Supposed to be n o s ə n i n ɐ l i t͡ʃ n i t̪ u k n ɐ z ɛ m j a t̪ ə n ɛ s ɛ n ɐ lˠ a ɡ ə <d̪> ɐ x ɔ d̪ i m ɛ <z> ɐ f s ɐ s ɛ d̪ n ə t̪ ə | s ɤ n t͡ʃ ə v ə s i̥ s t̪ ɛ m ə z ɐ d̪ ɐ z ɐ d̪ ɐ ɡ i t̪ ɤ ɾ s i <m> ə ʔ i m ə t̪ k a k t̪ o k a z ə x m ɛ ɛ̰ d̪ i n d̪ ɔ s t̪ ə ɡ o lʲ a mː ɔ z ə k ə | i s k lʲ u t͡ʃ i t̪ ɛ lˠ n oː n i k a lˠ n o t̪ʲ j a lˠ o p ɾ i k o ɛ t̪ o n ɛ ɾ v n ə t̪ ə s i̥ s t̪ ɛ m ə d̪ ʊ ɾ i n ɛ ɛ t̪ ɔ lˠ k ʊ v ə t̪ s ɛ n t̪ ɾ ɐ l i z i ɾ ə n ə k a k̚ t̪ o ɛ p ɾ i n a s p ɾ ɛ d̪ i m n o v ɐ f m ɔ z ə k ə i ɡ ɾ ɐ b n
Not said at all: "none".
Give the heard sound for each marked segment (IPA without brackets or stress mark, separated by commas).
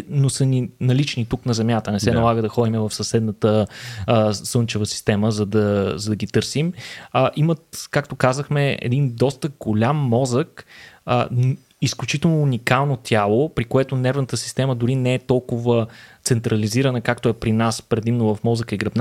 d̪, v, m